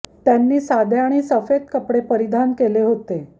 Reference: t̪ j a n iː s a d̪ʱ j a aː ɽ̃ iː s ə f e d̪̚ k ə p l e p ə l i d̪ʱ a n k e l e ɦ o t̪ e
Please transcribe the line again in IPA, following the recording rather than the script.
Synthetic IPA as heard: t̪ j a nː iː s a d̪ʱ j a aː ɽ̃ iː s ə f e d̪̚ k ə p ɽ e p ə ɾ i d̪ʱ a n k e l e ɦ o t̪ e